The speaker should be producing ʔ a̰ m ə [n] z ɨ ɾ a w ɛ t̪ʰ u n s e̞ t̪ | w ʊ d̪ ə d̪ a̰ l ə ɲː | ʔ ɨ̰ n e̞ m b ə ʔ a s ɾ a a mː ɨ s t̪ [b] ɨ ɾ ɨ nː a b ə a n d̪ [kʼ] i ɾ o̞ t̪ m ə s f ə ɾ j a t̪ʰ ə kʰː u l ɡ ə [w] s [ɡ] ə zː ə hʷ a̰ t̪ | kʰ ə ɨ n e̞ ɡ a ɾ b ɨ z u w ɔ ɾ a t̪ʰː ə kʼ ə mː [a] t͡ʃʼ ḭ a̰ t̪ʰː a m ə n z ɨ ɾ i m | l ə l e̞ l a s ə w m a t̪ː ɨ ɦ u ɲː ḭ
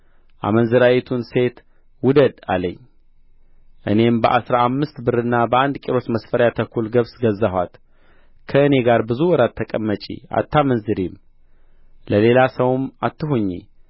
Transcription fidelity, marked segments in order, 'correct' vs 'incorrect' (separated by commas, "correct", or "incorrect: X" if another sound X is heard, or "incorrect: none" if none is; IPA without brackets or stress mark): correct, correct, correct, incorrect: β, correct, incorrect: ə